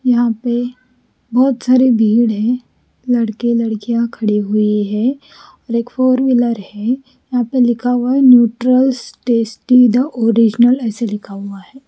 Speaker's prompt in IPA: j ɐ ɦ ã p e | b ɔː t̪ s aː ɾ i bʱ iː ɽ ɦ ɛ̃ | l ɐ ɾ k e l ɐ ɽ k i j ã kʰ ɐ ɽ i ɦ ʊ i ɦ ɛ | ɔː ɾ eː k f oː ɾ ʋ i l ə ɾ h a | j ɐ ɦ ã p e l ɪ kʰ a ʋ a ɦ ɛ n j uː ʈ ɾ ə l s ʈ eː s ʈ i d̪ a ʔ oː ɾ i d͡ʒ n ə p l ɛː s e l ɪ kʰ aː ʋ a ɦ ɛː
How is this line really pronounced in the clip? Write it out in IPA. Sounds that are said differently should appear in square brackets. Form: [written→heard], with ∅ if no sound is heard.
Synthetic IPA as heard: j ɐ ɦ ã p e | b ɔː t̪ s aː ɾ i bʱ iː ɽ ɦ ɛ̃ | l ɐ [ɾ→ɽ] k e l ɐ ɽ k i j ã kʰ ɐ ɽ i ɦ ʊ i ɦ ɛ | ɔː ɾ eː k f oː ɾ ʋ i l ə ɾ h [a→ɛ] | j ɐ ɦ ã p e l ɪ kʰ a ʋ a ɦ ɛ n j uː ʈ ɾ ə l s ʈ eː s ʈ i d̪ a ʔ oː ɾ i d͡ʒ n ə [p→∅] l ɛː s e l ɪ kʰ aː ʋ a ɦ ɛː